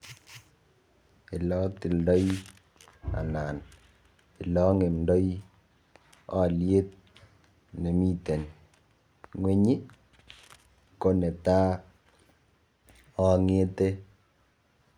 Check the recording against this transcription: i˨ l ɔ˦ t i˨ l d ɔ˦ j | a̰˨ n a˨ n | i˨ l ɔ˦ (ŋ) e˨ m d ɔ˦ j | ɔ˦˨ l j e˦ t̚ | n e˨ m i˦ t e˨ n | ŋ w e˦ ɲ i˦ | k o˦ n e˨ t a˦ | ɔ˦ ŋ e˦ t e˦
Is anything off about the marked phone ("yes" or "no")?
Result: no